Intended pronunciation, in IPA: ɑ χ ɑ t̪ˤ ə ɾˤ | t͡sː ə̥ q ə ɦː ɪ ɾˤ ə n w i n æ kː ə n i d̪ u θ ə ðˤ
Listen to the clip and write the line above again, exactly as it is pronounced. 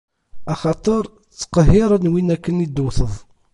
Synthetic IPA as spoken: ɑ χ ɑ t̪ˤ ə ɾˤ | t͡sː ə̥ q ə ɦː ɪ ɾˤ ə n w i n æ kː ə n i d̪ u θ ə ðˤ